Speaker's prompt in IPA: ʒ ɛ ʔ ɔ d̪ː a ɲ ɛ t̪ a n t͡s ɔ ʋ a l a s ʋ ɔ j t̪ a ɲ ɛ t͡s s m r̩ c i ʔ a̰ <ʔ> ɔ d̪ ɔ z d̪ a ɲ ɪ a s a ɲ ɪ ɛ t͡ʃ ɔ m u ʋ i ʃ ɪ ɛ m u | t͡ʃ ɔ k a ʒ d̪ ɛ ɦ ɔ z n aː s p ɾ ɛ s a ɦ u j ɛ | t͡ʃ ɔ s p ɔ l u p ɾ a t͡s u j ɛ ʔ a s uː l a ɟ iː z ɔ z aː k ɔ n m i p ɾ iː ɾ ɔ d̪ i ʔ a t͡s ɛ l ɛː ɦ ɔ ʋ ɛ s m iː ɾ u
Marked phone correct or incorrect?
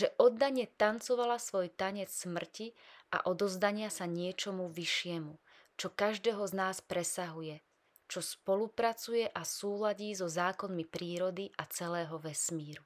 correct